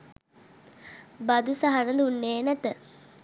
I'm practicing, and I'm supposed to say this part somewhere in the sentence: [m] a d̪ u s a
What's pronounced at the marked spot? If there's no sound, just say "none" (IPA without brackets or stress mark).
b